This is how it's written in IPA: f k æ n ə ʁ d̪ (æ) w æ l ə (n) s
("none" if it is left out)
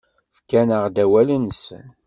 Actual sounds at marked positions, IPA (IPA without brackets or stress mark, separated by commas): æ, n